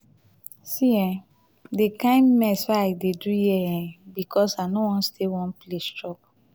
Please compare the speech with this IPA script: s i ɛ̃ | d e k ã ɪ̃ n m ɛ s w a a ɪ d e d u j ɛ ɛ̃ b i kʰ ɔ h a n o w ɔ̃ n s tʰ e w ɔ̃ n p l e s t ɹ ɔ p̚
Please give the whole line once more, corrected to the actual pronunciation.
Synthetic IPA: s i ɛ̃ | d e k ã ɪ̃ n m ɛ s w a a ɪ d e d u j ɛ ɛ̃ b i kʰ ɔ s a n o w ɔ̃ n s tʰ e w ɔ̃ n p l e s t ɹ ɔ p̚